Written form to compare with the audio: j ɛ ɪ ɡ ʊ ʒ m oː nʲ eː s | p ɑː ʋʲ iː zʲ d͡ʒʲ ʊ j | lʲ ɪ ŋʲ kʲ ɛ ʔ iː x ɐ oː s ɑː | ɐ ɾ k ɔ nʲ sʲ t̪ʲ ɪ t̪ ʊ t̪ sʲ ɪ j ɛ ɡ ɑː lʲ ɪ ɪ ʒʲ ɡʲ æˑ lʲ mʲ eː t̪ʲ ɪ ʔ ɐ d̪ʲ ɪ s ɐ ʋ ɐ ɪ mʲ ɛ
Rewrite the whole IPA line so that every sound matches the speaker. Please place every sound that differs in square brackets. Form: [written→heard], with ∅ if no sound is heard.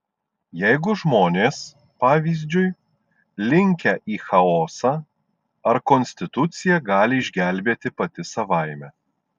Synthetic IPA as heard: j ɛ ɪ ɡ ʊ ʒ m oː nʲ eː s | p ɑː ʋʲ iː zʲ d͡ʒʲ ʊ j | lʲ ɪ ŋʲ kʲ ɛ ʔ iː x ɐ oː s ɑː | ɐ ɾ k ɔ nʲ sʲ t̪ʲ ɪ t̪ ʊ t̪ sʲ ɪ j ɛ ɡ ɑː lʲ ɪ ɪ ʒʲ ɡʲ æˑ lʲ [mʲ→bʲ] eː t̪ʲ ɪ [ʔ→p] ɐ [d̪ʲ→t̪ʲ] ɪ s ɐ ʋ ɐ ɪ mʲ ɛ